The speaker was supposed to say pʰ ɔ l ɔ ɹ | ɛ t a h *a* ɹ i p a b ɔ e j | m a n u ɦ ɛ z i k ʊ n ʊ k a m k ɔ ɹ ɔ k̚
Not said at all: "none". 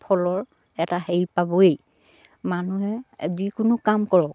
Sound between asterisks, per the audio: e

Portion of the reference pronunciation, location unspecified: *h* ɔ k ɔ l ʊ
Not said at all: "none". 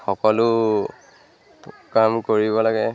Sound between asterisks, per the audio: x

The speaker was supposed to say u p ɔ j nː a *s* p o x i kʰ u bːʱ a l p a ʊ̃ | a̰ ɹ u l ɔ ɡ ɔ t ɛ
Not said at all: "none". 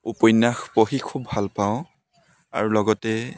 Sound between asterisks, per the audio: x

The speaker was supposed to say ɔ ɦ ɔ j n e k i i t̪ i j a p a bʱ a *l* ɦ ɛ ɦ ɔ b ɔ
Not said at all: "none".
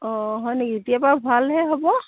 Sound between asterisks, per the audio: l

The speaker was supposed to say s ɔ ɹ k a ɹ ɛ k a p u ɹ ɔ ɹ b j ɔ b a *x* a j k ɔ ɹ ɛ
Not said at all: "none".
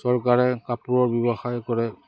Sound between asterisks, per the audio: x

